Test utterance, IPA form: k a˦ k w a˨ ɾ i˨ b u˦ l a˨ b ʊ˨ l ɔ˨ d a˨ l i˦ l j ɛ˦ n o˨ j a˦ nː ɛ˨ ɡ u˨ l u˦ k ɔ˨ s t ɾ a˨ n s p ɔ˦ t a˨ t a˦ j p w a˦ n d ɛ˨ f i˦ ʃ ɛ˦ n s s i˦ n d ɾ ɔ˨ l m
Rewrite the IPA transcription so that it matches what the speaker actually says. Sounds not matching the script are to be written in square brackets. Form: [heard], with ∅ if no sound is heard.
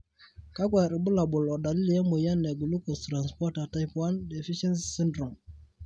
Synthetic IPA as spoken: k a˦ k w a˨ ɾ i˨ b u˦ l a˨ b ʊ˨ l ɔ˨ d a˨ l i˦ l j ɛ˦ [m] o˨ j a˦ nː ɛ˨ ɡ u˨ l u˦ k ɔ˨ s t ɾ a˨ n s p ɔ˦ t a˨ t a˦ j p w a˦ n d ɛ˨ f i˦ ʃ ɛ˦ n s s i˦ n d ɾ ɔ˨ [∅] m